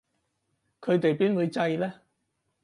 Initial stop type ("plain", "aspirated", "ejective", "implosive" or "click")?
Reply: aspirated